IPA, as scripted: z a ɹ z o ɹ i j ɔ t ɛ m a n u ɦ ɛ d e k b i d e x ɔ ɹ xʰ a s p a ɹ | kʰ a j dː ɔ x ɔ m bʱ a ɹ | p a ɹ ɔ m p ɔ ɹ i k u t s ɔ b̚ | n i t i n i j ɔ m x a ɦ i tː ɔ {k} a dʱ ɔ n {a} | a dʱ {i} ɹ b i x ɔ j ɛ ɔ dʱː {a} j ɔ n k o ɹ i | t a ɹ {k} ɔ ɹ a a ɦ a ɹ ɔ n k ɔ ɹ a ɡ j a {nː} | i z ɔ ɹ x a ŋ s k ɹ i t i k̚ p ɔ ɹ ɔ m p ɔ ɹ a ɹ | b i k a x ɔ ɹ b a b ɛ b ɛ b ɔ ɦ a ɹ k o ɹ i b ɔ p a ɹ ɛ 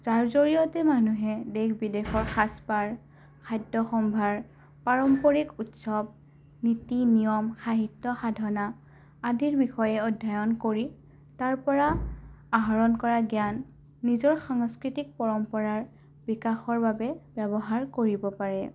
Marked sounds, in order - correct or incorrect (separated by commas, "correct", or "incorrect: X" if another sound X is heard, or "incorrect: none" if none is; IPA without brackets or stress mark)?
incorrect: x, correct, correct, correct, incorrect: p, correct